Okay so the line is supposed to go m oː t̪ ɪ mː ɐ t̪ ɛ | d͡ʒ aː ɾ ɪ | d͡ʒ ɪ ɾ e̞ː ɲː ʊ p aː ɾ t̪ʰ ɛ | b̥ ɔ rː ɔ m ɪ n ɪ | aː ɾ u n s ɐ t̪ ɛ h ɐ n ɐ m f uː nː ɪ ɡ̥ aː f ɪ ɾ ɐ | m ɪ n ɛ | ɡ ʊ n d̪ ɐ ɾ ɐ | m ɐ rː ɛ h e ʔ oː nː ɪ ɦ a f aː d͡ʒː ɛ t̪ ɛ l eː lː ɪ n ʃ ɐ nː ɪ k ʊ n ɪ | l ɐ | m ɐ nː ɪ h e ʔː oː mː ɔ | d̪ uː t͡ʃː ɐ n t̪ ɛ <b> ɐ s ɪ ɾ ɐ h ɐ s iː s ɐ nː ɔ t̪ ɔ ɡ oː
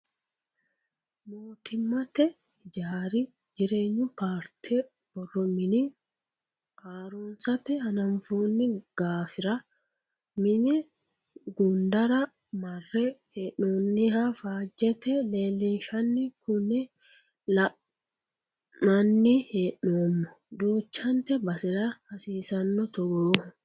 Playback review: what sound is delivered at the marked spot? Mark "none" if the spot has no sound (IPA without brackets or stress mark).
b